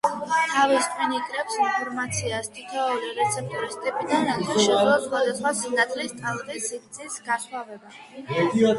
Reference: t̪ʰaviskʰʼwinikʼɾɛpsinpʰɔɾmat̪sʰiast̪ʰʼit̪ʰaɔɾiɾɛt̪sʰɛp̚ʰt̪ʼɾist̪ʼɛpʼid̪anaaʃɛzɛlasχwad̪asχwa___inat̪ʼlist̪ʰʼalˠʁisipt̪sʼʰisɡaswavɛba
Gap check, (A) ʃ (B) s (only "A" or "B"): B